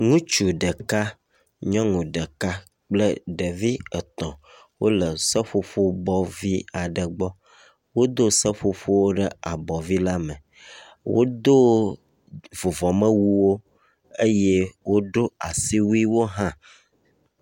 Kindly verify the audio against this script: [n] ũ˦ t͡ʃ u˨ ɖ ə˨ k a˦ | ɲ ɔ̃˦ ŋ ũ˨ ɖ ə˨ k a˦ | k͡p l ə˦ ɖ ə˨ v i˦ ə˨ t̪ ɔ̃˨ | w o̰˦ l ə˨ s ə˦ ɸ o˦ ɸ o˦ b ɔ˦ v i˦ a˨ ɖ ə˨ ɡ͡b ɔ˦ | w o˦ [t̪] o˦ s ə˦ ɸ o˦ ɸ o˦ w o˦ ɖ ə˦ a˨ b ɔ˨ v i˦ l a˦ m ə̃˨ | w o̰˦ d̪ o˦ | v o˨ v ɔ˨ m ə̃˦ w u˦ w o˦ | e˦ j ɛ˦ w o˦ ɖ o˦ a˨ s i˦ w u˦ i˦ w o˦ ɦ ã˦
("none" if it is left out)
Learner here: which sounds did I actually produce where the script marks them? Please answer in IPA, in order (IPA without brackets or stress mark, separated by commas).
ŋ, d̪